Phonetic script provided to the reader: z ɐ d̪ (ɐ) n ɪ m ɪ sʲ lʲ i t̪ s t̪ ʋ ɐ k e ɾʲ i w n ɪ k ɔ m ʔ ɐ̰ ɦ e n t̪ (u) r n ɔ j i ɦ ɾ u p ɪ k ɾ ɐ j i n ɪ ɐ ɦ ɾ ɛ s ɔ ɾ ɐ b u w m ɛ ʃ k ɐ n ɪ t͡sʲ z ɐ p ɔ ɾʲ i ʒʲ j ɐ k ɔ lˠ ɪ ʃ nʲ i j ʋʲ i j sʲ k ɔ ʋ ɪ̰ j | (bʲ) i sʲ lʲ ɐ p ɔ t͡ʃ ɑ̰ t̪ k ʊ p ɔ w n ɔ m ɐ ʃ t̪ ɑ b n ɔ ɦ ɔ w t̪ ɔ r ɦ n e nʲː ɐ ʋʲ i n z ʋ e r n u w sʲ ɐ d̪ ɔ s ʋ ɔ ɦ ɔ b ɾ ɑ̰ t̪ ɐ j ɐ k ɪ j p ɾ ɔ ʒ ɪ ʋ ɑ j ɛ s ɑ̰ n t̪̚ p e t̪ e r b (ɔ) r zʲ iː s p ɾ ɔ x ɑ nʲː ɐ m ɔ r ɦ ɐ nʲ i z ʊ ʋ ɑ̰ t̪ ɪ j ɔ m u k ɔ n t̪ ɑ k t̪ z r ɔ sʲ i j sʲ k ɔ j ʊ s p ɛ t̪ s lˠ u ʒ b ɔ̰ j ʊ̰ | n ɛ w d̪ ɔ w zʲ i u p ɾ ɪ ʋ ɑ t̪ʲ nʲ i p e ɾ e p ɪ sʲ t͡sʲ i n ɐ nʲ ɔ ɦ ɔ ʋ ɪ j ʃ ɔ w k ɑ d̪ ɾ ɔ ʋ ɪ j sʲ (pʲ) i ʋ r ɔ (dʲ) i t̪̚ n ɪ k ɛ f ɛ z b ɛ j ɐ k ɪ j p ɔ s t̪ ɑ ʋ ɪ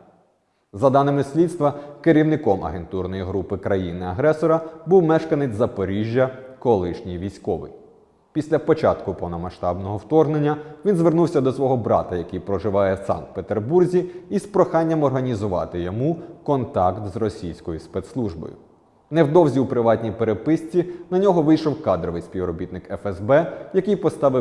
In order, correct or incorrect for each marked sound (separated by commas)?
incorrect, correct, incorrect, incorrect, correct, incorrect